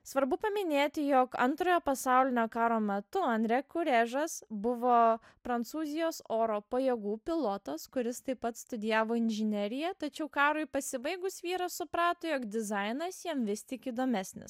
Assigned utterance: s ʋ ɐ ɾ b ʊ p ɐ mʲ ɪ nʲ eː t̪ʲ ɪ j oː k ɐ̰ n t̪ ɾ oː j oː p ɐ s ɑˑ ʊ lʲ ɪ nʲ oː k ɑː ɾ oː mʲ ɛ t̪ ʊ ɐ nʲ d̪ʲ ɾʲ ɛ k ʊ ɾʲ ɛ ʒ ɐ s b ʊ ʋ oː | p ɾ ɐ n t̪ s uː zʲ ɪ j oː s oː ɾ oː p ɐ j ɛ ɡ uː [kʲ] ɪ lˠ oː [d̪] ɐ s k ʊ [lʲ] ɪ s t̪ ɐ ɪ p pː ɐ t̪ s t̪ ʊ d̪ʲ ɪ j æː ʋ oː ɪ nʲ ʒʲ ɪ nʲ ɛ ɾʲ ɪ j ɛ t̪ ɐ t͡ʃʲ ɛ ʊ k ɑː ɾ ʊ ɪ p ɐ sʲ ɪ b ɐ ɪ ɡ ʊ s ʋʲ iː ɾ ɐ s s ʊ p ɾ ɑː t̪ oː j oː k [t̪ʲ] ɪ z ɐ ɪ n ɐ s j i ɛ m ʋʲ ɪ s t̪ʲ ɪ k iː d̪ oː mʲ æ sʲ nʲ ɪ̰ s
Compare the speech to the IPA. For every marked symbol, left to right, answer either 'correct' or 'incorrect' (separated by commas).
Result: incorrect, incorrect, incorrect, incorrect